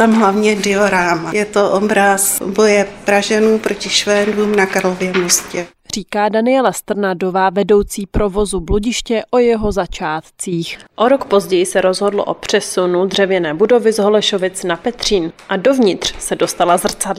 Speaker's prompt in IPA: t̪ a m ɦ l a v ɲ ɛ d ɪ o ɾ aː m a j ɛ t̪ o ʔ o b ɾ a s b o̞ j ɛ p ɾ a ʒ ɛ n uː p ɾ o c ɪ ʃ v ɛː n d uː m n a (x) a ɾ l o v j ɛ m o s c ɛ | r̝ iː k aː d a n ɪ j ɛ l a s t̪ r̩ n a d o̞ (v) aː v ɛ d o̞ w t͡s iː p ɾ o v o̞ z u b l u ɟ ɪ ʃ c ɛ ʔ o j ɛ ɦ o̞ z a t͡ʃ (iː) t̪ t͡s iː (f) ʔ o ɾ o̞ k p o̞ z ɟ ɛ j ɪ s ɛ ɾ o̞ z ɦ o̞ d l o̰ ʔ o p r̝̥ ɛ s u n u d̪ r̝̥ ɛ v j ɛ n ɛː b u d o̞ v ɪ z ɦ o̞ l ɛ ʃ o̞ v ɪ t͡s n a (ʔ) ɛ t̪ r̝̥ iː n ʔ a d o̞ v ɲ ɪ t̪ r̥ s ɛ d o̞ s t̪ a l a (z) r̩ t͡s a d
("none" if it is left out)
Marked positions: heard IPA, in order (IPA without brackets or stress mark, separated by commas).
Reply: k, v, aː, x, p, z